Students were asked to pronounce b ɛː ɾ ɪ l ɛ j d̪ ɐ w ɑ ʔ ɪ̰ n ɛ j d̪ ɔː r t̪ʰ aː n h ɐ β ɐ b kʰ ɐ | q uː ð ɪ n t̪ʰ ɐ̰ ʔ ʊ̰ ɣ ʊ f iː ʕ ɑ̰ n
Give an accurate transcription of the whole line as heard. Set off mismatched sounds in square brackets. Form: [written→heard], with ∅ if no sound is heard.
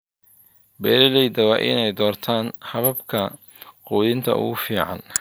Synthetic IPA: b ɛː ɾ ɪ l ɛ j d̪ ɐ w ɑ ʔ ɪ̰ n ɛ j d̪ ɔː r t̪ʰ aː n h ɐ β ɐ b kʰ ɐ | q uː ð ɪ n t̪ʰ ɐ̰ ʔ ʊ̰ ɣ ʊ f iː ʕ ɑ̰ n